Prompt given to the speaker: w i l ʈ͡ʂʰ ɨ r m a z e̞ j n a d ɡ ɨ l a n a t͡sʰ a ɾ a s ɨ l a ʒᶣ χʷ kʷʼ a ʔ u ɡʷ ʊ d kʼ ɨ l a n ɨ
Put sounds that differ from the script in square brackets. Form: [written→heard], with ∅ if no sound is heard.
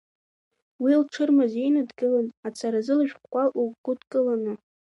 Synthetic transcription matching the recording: w i l ʈ͡ʂʰ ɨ r m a z e̞ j n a d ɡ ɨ l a n a t͡sʰ a ɾ a [s→z] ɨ l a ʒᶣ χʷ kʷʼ a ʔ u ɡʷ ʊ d kʼ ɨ l a n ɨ